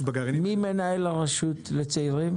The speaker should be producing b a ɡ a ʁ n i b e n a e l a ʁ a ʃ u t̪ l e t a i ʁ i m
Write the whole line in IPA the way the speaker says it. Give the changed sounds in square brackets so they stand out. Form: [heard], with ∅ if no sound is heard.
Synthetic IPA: b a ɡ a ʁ [m] i [m] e n a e l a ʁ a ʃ u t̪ l e [t͡s] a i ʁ i m

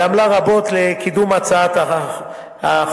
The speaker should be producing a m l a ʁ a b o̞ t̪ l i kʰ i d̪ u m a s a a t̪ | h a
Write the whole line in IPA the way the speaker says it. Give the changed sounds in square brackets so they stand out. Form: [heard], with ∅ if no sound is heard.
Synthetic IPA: a m l a ʁ a b o̞ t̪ l [e] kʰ i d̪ u m a [t͡s] a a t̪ | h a

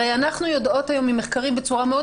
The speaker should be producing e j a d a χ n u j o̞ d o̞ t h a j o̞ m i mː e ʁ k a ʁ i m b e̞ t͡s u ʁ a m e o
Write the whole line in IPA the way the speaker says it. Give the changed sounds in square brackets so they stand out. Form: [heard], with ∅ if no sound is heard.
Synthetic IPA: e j a [n] a χ n u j o̞ d o̞ t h a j o̞ m i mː e [χ] k a ʁ i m b e̞ t͡s u ʁ a m e o

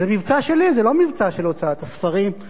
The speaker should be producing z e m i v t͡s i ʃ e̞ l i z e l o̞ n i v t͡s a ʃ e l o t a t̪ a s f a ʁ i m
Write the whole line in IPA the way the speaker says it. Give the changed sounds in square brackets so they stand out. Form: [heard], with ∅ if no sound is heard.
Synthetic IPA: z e m i v t͡s [a] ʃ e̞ l i z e l o̞ [m] i v t͡s a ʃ e l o [t͡s] a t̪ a s f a ʁ i m

